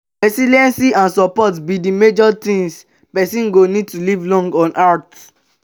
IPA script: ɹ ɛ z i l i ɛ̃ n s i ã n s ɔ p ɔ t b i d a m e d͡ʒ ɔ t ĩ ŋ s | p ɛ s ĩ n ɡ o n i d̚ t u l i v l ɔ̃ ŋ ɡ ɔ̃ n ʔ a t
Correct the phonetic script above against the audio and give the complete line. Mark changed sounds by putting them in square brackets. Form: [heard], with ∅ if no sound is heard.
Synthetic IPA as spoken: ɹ ɛ [s] i l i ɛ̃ n s i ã n s ɔ p ɔ t b i d [i] m e d͡ʒ ɔ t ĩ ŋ s | p ɛ s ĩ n ɡ o n i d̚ t u l i v l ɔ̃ ŋ ɡ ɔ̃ n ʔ a t